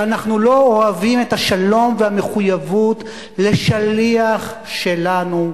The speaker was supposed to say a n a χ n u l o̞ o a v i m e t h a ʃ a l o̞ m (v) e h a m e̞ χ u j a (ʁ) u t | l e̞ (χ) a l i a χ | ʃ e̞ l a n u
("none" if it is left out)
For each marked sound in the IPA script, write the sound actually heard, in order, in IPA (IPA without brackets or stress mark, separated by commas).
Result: v, v, ʃ